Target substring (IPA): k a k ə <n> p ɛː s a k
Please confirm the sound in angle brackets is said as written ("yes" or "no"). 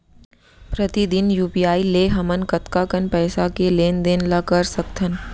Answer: yes